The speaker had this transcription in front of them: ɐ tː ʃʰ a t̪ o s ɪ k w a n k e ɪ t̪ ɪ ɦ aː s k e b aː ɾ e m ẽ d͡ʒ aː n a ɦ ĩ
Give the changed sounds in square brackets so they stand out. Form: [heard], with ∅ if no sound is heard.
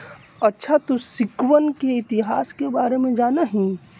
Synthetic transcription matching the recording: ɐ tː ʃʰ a t̪ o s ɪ k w [ə] n k e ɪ t̪ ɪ ɦ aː s k e b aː ɾ e m ẽ d͡ʒ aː n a ɦ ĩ